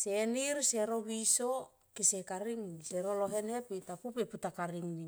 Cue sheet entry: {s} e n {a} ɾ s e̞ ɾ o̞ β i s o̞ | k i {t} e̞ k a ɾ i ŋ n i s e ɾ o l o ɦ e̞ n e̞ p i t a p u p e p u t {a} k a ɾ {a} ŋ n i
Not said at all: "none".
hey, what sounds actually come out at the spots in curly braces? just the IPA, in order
s, i, s, a, i

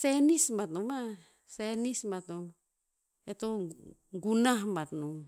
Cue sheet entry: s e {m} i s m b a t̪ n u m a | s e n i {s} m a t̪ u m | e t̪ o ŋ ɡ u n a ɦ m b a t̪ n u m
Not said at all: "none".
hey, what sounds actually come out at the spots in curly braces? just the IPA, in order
n, s

